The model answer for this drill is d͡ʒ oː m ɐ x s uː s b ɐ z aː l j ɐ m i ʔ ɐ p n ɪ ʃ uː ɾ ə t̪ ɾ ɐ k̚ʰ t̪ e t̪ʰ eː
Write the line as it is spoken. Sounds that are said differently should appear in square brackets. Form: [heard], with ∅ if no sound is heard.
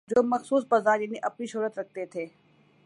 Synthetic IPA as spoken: d͡ʒ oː m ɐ x s uː s b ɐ z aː [ɾ] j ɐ [n] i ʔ ɐ p n [i] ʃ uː ɾ ə t̪ ɾ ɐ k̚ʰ t̪ e t̪ʰ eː